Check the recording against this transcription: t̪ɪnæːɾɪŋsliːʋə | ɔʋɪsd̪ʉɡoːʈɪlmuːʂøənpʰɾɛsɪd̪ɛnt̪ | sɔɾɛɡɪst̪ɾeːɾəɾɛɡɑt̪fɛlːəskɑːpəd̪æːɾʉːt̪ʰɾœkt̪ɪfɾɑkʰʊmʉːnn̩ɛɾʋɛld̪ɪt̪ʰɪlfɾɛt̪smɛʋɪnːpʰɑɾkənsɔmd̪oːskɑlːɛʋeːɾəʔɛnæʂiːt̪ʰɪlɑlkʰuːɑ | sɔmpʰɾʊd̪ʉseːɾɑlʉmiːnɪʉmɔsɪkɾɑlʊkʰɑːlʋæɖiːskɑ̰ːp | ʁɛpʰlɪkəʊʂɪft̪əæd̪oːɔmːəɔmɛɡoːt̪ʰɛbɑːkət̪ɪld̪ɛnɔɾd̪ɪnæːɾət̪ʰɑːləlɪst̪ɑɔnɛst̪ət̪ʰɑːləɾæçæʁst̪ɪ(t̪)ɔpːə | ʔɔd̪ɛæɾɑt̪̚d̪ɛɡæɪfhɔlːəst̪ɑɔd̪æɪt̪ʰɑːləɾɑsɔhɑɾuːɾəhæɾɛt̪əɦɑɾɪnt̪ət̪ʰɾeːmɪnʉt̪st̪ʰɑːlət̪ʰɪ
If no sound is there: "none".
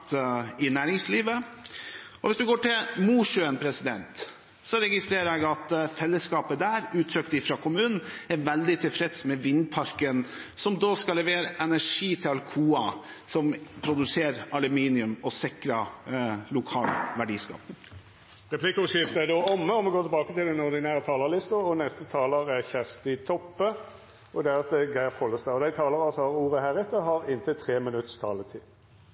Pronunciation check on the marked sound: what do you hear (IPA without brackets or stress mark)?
t̪ʰ